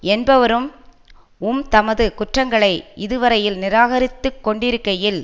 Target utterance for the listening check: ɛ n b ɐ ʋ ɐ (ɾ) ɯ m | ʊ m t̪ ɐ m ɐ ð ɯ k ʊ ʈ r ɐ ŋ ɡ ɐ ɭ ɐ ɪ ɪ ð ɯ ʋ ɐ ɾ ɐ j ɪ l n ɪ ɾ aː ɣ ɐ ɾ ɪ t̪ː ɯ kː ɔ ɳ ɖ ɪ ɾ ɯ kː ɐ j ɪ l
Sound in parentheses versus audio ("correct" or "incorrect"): correct